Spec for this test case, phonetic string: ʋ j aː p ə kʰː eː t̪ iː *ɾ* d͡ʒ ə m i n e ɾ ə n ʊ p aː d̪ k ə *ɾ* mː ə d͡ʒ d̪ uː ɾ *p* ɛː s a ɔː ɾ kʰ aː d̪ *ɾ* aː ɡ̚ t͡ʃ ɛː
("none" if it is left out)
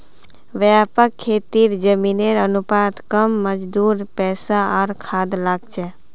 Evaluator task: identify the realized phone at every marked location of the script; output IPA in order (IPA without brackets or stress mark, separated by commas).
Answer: ɾ, none, p, l